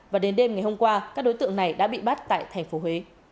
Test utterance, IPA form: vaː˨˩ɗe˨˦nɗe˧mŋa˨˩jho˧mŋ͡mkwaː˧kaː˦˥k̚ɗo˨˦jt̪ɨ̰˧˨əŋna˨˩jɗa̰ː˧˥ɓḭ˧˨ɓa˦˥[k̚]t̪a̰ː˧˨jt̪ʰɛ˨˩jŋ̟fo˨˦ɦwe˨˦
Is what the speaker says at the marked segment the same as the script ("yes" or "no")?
no